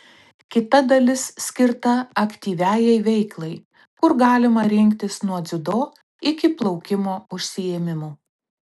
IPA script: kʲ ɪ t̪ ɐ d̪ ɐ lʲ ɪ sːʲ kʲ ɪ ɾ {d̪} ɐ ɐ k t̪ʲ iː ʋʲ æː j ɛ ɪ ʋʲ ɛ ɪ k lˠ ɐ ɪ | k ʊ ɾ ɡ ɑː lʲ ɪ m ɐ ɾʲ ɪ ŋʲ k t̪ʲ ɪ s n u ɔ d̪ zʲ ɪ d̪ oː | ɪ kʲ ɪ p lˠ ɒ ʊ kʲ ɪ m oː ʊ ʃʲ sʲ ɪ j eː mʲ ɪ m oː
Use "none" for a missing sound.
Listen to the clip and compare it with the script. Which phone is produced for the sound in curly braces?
t̪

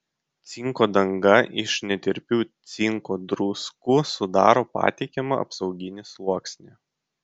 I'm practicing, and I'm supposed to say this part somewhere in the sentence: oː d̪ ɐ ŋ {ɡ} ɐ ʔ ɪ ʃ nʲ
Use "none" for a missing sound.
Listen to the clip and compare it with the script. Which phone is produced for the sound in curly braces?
ɡ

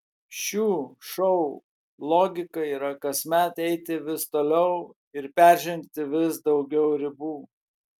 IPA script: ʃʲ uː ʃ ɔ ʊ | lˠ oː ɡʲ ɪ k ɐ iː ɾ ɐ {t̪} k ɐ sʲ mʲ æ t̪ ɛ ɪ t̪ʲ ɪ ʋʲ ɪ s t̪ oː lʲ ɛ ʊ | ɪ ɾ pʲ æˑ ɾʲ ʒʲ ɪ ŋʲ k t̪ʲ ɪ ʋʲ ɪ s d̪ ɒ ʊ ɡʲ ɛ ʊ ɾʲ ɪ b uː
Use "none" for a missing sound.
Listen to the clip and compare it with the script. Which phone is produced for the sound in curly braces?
none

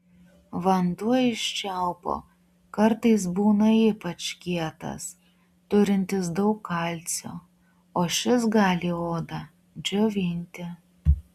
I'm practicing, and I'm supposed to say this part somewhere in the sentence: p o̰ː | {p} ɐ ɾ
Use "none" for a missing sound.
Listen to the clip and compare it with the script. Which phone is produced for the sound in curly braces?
k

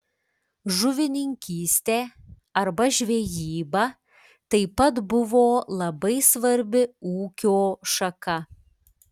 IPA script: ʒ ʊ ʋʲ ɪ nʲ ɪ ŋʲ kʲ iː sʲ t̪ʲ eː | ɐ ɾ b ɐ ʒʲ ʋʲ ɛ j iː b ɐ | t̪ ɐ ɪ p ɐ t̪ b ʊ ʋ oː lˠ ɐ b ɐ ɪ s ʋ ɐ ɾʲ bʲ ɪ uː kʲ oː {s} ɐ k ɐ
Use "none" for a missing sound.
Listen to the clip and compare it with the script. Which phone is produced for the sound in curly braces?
ʃ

